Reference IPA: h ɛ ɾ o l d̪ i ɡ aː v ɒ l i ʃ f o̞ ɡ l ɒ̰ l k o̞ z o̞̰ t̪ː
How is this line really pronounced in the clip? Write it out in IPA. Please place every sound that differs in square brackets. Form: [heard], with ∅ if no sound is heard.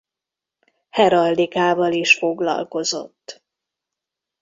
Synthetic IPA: h ɛ ɾ [ɒ] l d̪ i [k] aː v ɒ l i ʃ f o̞ ɡ l ɒ̰ l k o̞ z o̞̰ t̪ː